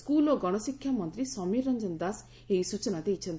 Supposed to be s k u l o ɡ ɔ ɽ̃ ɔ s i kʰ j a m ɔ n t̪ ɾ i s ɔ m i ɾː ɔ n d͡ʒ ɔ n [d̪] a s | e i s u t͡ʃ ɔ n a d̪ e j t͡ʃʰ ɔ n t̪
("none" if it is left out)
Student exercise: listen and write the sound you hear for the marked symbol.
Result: d̪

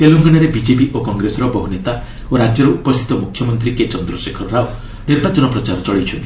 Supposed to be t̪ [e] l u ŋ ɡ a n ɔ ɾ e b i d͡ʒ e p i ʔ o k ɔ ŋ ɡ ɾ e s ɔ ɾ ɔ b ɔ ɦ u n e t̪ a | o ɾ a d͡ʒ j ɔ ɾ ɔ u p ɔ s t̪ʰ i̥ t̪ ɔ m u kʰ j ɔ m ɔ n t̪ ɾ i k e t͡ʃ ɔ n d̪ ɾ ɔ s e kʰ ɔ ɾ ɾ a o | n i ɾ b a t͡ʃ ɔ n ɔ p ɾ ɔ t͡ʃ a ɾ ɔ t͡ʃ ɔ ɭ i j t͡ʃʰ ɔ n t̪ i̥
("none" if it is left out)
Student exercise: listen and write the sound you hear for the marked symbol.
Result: e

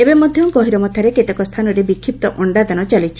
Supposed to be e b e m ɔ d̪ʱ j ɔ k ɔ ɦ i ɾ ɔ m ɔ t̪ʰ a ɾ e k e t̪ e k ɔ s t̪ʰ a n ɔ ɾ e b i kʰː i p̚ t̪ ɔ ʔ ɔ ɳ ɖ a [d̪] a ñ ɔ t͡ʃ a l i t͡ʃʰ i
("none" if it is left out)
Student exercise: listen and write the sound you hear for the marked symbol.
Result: d̪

